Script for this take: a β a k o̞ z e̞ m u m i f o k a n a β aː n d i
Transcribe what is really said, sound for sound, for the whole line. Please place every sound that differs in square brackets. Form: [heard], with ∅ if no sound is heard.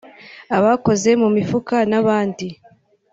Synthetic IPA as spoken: a β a k o̞ z e̞ m u m i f [u] k a n a β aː n d i